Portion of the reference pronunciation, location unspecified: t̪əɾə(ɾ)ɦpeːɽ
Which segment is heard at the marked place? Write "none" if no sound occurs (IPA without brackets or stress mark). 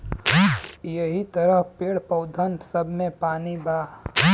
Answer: none